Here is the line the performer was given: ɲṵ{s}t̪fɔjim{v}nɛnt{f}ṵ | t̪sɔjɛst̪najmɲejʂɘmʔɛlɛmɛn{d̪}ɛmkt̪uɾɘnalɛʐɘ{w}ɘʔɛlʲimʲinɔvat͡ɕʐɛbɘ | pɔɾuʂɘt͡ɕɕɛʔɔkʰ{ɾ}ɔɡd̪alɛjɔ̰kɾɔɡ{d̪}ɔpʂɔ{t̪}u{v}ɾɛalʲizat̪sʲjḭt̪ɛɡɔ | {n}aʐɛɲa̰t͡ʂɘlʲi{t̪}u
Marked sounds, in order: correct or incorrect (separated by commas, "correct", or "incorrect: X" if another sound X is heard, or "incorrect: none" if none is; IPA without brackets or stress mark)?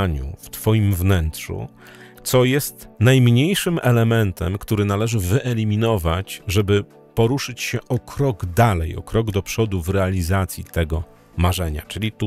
incorrect: f, correct, incorrect: ʂ, incorrect: t̪, incorrect: v, correct, correct, incorrect: d̪, correct, incorrect: m, correct